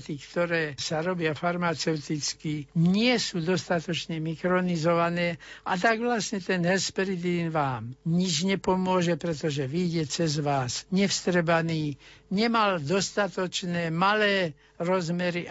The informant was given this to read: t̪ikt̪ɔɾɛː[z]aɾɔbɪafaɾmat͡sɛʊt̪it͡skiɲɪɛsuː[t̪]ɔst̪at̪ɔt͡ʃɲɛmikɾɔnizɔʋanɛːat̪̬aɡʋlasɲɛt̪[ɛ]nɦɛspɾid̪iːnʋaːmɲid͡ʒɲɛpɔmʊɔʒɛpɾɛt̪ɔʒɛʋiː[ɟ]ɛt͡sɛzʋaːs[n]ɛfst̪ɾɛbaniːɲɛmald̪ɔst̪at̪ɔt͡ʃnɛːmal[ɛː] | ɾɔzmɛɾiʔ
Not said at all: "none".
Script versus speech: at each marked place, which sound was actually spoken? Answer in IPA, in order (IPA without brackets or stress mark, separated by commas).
s, d̪, ɛ, ɟ, ɲ, ɛː